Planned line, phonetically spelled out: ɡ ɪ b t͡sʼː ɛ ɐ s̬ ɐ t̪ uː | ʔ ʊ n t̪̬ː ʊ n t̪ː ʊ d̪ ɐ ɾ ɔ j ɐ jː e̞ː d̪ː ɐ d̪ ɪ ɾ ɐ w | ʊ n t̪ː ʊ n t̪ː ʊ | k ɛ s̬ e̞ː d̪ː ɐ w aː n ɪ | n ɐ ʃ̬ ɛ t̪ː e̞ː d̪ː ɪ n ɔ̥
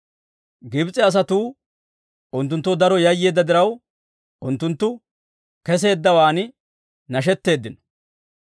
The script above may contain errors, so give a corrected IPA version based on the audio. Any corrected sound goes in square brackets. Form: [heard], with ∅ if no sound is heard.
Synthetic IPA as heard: ɡ ɪ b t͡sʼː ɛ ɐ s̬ ɐ t̪ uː | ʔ ʊ n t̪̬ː ʊ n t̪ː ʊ d̪ ɐ ɾ ɔ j ɐ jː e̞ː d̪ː ɐ d̪ ɪ ɾ ɐ w | ʊ n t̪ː ʊ n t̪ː ʊ | k ɛ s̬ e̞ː d̪ː ɐ w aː n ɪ | n ɐ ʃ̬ ɛ t̪ː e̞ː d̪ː ɪ n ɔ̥